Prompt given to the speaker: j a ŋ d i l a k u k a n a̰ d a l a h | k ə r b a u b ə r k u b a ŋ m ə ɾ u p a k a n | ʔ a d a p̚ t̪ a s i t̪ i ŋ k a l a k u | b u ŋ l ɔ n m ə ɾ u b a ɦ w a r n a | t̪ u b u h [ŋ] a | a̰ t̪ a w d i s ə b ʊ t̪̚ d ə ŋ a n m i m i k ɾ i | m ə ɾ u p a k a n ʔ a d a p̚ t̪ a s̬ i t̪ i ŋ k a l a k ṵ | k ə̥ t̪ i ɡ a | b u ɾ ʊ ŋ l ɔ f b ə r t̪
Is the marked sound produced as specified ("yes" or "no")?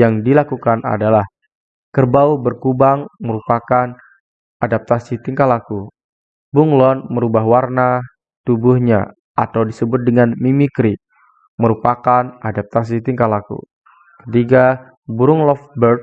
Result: no